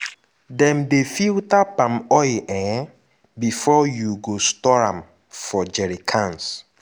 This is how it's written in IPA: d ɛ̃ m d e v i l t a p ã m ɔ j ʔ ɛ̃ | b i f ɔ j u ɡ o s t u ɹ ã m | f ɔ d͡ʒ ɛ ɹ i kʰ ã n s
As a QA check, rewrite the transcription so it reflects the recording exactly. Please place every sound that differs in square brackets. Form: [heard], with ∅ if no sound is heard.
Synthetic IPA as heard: d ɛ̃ m d e [f] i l t a p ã m ɔ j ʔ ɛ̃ | b i f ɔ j u ɡ o s t [ɔ] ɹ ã m | f ɔ d͡ʒ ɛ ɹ i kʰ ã n s